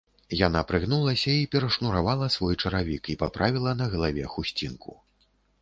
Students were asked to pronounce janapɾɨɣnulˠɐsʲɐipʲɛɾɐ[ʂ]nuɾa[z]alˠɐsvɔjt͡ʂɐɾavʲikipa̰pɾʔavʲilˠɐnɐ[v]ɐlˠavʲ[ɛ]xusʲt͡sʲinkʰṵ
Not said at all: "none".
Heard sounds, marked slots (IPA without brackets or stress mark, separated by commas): ʂ, v, ɣ, ɛ